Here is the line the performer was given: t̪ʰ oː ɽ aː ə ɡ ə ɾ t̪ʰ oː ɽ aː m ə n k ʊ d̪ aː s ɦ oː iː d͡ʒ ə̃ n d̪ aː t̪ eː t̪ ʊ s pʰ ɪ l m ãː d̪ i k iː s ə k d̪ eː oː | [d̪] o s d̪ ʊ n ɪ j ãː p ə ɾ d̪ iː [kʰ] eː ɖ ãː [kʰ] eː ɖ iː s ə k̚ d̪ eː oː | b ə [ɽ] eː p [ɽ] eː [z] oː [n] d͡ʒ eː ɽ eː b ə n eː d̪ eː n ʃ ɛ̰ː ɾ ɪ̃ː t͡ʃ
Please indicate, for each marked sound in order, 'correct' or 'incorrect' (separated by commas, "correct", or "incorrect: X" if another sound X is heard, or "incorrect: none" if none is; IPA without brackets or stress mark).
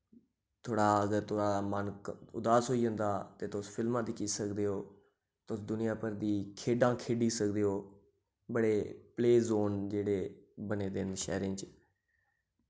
incorrect: t̪, correct, correct, correct, incorrect: l, correct, correct